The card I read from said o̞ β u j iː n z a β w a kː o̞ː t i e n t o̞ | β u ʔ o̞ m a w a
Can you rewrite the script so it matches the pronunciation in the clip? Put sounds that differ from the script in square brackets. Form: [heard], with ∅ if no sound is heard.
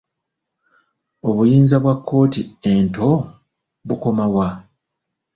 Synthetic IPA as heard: o̞ β u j iː n z a β w a kː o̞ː t i e n t o̞ | β u [k] o̞ m a w a